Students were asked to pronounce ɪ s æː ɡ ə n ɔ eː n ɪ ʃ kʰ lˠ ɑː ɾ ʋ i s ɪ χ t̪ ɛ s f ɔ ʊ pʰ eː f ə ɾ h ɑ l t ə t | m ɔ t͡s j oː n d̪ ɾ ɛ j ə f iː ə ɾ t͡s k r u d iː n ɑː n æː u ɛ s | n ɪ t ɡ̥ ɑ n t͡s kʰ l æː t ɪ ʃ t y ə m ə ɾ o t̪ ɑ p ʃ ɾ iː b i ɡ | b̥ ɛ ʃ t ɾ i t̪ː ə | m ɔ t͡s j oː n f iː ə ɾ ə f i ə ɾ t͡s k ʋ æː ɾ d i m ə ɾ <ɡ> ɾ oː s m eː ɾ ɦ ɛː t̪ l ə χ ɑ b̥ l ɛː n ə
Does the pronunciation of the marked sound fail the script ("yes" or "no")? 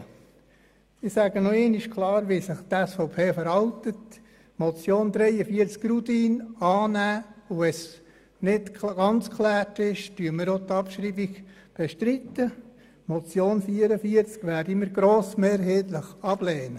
no